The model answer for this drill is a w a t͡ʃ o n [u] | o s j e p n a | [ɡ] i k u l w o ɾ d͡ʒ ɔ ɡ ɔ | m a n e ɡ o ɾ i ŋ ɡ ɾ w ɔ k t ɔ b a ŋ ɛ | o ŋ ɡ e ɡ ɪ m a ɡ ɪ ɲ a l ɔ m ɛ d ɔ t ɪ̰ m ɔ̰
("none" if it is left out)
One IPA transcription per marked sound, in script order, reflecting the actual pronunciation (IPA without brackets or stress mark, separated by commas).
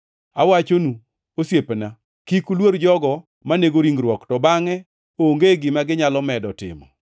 u, k